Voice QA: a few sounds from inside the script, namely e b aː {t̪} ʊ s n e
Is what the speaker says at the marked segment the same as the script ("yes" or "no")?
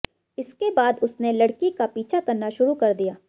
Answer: no